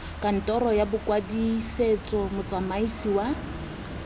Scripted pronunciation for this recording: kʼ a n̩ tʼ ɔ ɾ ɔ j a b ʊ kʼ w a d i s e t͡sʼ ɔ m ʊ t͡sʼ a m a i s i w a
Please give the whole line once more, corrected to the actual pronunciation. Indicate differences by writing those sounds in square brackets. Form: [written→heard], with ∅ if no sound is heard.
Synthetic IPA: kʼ a n̩ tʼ ɔ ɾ ɔ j a b ʊ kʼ w a d i s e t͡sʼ ɔ m ʊ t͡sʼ a m a i s i w a